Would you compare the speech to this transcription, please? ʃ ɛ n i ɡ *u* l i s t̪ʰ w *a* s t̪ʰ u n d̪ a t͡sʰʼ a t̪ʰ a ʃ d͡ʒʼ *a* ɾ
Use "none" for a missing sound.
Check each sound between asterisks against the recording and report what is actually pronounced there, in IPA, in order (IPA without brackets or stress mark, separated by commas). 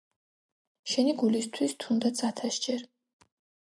u, i, ɛ